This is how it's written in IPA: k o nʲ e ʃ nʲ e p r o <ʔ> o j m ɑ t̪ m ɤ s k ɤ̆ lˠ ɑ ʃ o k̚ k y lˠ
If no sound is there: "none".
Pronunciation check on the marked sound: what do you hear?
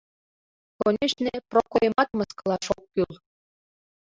k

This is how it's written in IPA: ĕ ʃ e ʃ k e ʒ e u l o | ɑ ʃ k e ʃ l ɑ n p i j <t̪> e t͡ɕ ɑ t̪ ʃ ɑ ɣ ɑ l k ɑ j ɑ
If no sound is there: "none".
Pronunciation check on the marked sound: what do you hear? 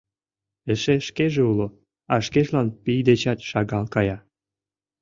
d̪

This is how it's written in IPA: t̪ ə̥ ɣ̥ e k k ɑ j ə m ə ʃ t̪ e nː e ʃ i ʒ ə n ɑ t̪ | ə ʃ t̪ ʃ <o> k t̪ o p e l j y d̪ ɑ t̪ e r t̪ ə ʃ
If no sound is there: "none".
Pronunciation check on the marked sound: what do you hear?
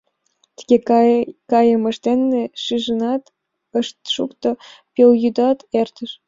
u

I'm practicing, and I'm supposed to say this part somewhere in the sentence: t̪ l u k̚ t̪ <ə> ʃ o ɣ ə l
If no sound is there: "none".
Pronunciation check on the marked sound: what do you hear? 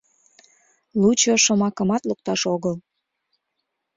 ɑ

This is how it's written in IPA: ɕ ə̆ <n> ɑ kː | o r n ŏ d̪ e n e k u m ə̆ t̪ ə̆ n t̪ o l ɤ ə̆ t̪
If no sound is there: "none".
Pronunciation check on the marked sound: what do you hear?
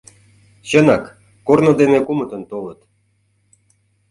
n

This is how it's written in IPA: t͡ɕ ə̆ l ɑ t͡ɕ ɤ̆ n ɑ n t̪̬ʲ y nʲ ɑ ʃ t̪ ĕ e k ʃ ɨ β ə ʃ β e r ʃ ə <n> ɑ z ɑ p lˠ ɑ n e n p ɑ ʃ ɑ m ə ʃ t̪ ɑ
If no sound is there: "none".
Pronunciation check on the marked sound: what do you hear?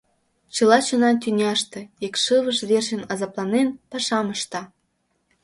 n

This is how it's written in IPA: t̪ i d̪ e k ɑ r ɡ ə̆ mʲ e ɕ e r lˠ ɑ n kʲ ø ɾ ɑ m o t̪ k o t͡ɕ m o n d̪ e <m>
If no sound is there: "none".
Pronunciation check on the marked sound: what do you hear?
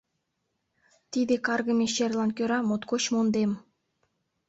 m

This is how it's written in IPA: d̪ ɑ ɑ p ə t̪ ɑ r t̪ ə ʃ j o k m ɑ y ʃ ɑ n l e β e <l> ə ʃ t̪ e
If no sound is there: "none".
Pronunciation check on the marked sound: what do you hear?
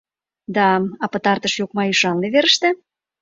ɾ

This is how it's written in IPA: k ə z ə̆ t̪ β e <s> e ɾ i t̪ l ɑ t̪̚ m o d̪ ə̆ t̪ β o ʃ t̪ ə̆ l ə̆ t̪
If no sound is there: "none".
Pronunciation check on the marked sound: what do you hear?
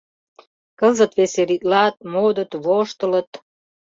s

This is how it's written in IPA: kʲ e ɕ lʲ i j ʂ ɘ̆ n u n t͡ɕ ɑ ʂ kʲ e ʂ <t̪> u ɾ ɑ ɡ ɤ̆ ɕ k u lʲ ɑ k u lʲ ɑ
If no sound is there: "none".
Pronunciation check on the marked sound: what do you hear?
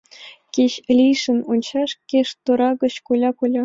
t̪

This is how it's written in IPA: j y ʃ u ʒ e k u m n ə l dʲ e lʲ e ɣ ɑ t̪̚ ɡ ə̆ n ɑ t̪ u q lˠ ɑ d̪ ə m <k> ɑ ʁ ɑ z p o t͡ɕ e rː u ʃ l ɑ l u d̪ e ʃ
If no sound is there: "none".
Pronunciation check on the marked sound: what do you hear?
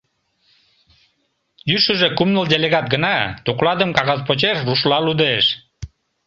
k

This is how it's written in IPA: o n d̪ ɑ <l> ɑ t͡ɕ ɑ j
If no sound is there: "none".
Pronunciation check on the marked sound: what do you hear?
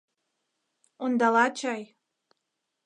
l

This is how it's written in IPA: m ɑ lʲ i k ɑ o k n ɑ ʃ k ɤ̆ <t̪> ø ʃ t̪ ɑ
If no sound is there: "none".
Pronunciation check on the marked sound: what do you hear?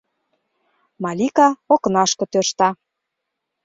t̪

